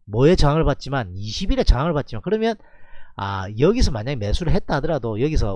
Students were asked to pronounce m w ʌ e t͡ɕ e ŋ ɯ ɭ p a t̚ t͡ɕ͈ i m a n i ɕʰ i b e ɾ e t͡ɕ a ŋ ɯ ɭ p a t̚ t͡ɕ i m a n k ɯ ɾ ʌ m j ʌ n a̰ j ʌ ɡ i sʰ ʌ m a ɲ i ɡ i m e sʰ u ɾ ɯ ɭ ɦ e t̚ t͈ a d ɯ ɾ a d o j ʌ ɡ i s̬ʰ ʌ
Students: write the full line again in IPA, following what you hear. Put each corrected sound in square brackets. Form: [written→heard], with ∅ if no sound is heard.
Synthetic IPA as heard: m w ʌ e t͡ɕ [e→a] ŋ ɯ ɭ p a t̚ t͡ɕ͈ i m a n i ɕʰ i b [e→i] ɾ e t͡ɕ a ŋ ɯ ɭ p a t̚ t͡ɕ i m a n k ɯ ɾ ʌ m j ʌ n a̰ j ʌ ɡ i sʰ ʌ m a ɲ [i→a] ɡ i m e sʰ u ɾ ɯ ɭ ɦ e t̚ t͈ a d ɯ ɾ a d o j ʌ ɡ i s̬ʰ ʌ

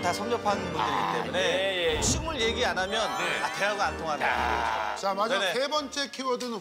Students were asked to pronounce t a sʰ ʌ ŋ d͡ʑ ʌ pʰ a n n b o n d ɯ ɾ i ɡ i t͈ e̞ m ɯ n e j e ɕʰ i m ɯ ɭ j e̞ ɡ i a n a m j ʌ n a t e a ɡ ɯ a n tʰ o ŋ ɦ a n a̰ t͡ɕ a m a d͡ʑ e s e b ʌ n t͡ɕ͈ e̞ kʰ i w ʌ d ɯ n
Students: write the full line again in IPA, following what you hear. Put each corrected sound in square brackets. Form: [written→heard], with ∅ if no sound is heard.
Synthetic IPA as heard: t a sʰ ʌ ŋ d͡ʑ ʌ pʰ a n n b [o→u] n d ɯ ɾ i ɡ i t͈ e̞ m [ɯ→u] n e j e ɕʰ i m ɯ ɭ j e̞ ɡ i a n a m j ʌ n a t e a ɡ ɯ a n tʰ o ŋ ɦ a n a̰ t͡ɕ a m a d͡ʑ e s e b ʌ n t͡ɕ͈ e̞ kʰ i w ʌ d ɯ n

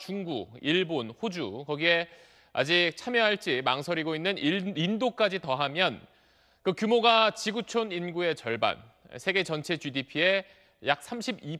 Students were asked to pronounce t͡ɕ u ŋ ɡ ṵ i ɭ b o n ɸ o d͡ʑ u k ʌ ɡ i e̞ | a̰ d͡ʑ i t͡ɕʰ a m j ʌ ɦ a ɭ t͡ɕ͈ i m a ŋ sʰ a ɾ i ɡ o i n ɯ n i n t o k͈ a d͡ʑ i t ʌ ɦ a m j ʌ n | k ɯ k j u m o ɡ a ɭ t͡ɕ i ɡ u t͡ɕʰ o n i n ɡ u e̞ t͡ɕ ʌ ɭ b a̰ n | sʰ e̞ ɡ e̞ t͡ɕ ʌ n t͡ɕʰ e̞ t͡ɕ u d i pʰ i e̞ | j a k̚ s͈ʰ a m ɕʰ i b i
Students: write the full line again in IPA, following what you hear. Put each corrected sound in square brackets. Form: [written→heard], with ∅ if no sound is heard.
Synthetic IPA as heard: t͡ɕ u ŋ ɡ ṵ i ɭ b o n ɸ o d͡ʑ u k ʌ ɡ i e̞ | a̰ d͡ʑ i t͡ɕʰ a m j ʌ ɦ a ɭ t͡ɕ͈ i m a ŋ sʰ [a→ʌ] ɾ i ɡ o i [n→nː] ɯ n i n [t→d] o k͈ a d͡ʑ i t ʌ ɦ a m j ʌ n | k ɯ k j u m o ɡ a [ɭ→∅] t͡ɕ i ɡ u t͡ɕʰ o n i n ɡ u e̞ t͡ɕ ʌ ɭ b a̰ n | sʰ e̞ ɡ e̞ t͡ɕ ʌ n t͡ɕʰ e̞ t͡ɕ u d i pʰ i e̞ | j a k̚ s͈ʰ a m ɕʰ i b i

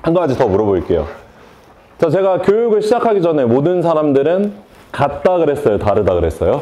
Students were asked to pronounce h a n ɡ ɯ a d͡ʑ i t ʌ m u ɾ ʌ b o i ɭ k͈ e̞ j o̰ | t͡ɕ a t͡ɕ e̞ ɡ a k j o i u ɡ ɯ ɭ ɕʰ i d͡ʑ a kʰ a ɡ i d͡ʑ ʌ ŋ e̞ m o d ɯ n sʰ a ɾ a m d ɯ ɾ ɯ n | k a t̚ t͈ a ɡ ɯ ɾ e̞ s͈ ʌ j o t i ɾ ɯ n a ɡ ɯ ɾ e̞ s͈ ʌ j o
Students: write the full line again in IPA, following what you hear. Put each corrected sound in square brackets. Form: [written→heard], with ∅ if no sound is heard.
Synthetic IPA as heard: h a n ɡ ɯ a d͡ʑ i t ʌ m u ɾ ʌ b o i ɭ k͈ e̞ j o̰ | t͡ɕ a t͡ɕ e̞ ɡ a k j o [i→j] u ɡ ɯ ɭ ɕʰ i d͡ʑ a kʰ a ɡ i d͡ʑ ʌ [ŋ→n] e̞ m o d ɯ n sʰ a ɾ a m d ɯ ɾ ɯ n | k a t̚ t͈ a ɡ ɯ ɾ e̞ s͈ ʌ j o t [i→a] ɾ ɯ [n→d] a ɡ ɯ ɾ e̞ s͈ ʌ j o

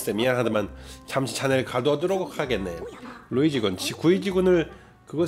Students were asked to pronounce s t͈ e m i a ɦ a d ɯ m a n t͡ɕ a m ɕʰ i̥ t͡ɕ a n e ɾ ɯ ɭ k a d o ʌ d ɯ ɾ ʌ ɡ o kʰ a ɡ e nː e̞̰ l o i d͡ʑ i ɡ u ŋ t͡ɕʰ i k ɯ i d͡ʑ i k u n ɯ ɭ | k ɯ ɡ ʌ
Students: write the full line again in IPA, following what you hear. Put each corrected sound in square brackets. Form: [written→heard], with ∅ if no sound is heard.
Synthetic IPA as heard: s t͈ e m i a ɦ a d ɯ m a n t͡ɕ a m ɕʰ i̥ t͡ɕ a n e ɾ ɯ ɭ k a d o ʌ d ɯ ɾ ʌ ɡ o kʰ a ɡ e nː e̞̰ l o i d͡ʑ i ɡ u [ŋ→n] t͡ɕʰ i k [ɯ→u] i d͡ʑ i [k→ɡ] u n ɯ ɭ | k ɯ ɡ ʌ

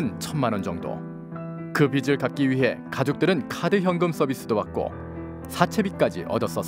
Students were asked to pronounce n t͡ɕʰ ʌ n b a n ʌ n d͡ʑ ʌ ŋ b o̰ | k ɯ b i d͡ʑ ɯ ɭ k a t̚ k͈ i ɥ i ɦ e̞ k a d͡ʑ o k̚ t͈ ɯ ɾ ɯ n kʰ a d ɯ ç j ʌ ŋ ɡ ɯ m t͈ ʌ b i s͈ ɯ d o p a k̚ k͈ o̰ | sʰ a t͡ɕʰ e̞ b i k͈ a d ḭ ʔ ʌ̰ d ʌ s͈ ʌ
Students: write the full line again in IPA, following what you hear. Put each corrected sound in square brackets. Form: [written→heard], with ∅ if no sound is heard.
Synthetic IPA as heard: n t͡ɕʰ ʌ n [b→m] a n ʌ n d͡ʑ ʌ ŋ [b→d] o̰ | k ɯ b i d͡ʑ ɯ ɭ k a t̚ k͈ i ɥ i ɦ e̞ k a d͡ʑ o k̚ t͈ ɯ ɾ ɯ n kʰ a d ɯ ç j ʌ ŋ ɡ ɯ m [t͈→s͈] ʌ b i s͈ ɯ d o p a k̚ k͈ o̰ | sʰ a t͡ɕʰ e̞ b i k͈ a [d→d͡ʑ] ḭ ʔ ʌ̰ d ʌ s͈ ʌ

